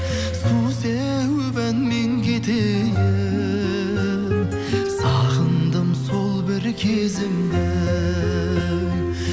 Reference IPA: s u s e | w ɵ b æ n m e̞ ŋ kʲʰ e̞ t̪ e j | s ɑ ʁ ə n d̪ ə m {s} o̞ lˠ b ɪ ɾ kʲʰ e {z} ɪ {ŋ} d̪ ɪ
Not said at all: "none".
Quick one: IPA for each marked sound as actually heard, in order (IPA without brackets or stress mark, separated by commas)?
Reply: s, z, m